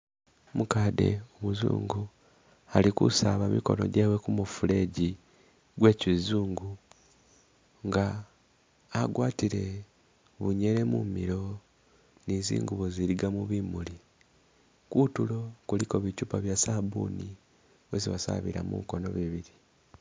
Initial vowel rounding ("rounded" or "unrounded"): rounded